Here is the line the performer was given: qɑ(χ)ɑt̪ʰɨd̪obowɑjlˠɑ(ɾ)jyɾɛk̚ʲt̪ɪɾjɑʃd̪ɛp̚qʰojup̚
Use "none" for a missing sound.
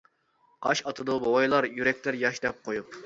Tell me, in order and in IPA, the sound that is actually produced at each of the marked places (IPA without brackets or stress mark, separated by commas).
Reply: ʃ, ɾ